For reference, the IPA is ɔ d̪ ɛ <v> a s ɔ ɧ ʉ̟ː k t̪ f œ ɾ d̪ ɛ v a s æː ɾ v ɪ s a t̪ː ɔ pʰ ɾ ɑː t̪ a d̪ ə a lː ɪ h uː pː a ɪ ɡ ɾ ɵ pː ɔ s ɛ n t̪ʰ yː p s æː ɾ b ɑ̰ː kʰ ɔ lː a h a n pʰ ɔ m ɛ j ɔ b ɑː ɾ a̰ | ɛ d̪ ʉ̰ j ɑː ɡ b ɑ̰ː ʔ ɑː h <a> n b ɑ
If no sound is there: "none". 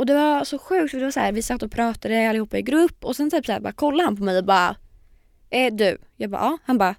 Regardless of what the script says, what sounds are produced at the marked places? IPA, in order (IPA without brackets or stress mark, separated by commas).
v, a